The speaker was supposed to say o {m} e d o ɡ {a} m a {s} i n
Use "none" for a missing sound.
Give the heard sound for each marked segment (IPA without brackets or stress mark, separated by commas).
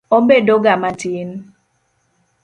b, a, t